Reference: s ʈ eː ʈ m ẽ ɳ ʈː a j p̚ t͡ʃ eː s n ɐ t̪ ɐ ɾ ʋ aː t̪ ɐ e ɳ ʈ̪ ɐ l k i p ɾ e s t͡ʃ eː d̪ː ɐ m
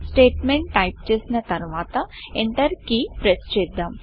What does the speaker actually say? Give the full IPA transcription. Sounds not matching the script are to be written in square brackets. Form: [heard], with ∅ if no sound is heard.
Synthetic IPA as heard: s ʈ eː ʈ m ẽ ɳ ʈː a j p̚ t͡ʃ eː s n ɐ t̪ ɐ ɾ ʋ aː t̪ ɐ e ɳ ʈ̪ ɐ [ɾ] k i p ɾ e s t͡ʃ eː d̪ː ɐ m